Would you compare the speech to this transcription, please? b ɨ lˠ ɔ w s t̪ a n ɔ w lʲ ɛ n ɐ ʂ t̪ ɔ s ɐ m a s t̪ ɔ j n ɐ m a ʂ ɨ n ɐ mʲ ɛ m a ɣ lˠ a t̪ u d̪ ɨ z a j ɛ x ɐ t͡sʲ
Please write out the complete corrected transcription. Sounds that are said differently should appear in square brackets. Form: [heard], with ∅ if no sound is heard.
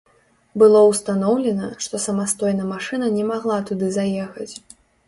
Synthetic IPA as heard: b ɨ lˠ ɔ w s t̪ a n ɔ w lʲ ɛ n ɐ ʂ t̪ ɔ s ɐ m a s t̪ ɔ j n ɐ m a ʂ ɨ n ɐ [nʲ] ɛ m a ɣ lˠ a t̪ u d̪ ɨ z a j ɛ x ɐ t͡sʲ